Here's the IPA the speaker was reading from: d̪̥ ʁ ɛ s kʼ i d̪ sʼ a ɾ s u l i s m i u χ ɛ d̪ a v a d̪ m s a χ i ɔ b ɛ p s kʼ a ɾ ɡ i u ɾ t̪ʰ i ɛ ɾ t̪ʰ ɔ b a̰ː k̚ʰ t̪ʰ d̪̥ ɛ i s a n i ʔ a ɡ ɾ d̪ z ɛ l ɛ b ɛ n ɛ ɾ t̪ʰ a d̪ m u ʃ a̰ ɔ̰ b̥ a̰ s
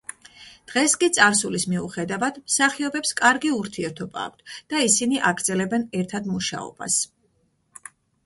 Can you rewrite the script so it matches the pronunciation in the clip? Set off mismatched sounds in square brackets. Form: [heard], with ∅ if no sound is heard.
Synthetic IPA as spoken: d̪̥ ʁ ɛ s kʼ i [t̪] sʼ a ɾ s u l i s m i u χ ɛ d̪ a v a d̪ m s a χ i ɔ b ɛ p s kʼ a ɾ ɡ i u ɾ t̪ʰ i ɛ ɾ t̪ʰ ɔ b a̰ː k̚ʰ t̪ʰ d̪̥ [a] i s [i] n i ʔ a ɡ ɾ d̪ z ɛ l ɛ b ɛ n ɛ ɾ t̪ʰ a d̪ m u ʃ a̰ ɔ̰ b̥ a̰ s